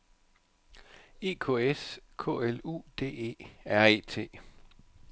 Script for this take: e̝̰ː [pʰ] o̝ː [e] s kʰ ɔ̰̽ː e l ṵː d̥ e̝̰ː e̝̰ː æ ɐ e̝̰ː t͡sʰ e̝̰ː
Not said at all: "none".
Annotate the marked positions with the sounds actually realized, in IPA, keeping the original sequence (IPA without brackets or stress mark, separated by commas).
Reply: kʰ, e